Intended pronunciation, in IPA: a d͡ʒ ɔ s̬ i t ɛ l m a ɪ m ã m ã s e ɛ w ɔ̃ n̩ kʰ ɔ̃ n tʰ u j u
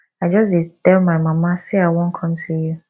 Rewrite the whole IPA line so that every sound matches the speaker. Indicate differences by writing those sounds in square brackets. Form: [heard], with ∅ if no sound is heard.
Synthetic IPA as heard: a d͡ʒ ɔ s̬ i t ɛ l m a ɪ m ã m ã s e [a] w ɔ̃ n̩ kʰ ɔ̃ [m] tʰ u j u